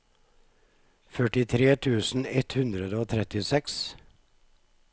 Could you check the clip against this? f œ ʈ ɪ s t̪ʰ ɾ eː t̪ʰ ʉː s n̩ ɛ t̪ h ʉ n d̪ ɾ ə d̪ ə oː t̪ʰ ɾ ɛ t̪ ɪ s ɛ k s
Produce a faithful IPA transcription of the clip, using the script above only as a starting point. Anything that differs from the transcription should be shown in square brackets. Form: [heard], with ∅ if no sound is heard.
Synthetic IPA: f œ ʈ ɪ [∅] t̪ʰ ɾ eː t̪ʰ ʉː s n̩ ɛ t̪ h ʉ n d̪ ɾ ə d̪ ə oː t̪ʰ ɾ ɛ t̪ ɪ s ɛ k s